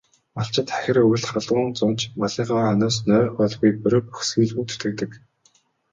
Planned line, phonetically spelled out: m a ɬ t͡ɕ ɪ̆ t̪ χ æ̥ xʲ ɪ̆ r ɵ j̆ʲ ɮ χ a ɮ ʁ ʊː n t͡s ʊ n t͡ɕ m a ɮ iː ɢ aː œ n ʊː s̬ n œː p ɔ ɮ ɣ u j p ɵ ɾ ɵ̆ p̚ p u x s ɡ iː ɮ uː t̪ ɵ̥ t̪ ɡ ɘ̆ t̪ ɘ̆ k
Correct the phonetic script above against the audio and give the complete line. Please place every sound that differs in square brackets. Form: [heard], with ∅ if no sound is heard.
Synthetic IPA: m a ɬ t͡ɕ ɪ̆ t̪ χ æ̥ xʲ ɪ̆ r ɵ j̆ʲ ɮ χ a ɮ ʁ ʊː n t͡s ʊ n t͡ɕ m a ɮ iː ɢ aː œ n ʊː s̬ n œː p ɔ ɮ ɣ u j p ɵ ɾ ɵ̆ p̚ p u x s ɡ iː ɮ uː t̪ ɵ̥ t̪ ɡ ɘ̆ t̪ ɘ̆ k